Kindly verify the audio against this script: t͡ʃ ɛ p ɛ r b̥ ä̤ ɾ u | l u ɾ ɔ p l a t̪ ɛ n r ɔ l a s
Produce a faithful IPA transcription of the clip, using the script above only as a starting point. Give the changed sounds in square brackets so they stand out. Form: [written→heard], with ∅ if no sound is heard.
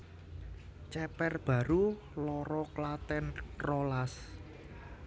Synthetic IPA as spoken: t͡ʃ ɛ p ɛ r b̥ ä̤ ɾ u | l [u→ɔ] ɾ ɔ [p→k] l a t̪ ɛ n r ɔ l a s